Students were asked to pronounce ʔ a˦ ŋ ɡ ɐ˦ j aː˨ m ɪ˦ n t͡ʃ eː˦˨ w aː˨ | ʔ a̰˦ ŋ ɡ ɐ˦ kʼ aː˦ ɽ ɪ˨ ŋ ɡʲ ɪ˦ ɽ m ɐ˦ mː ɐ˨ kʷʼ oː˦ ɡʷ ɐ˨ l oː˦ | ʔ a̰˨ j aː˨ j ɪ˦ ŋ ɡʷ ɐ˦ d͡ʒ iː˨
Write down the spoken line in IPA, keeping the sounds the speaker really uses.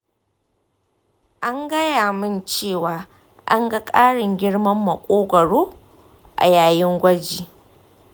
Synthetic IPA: ʔ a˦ ŋ ɡ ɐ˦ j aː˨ m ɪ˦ n t͡ʃ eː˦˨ w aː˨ | ʔ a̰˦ ŋ ɡ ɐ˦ kʼ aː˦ ɽ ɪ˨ ŋ ɡʲ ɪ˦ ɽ m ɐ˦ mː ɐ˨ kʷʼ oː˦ ɡʷ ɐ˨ ɽ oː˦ | ʔ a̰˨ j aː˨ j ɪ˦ ŋ ɡʷ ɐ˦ d͡ʒ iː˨